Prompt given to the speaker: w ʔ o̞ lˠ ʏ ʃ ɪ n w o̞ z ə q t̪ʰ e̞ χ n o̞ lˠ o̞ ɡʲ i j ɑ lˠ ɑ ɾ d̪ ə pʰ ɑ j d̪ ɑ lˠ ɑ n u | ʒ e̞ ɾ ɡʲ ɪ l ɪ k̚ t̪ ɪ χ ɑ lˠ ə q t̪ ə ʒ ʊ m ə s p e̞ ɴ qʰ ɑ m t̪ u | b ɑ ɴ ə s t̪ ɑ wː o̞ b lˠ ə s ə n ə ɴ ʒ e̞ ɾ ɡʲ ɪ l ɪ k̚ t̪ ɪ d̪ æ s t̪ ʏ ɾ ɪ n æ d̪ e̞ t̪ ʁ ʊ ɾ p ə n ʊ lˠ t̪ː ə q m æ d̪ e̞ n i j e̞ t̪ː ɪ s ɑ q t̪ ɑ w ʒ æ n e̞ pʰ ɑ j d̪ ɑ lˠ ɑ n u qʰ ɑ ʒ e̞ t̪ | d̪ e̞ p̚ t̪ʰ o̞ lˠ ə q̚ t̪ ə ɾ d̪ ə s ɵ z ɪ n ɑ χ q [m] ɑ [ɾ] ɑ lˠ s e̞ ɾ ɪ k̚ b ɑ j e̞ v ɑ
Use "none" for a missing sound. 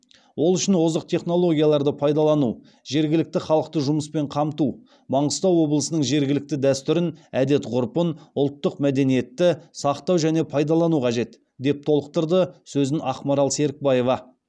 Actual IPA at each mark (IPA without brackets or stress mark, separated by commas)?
m, ɾ